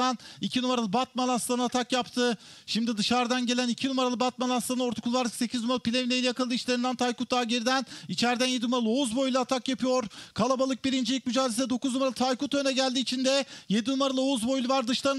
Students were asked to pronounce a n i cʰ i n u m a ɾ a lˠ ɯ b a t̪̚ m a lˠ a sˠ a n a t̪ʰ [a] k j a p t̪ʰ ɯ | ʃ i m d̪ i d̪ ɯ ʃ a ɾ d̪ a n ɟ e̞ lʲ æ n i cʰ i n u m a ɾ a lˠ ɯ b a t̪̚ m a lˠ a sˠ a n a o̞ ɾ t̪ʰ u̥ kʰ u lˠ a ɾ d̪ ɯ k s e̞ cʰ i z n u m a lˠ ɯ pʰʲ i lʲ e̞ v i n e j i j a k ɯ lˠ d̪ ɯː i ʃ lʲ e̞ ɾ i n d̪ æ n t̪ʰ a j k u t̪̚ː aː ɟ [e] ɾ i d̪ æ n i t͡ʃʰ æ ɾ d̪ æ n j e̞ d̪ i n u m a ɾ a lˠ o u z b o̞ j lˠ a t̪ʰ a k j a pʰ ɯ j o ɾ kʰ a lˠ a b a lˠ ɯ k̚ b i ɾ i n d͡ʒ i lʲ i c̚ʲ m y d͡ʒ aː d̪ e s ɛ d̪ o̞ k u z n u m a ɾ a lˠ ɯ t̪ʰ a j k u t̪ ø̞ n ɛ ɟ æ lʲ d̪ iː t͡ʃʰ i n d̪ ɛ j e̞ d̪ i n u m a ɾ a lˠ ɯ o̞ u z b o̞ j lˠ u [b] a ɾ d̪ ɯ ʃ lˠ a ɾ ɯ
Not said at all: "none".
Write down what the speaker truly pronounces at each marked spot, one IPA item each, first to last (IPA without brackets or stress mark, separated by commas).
a, e, v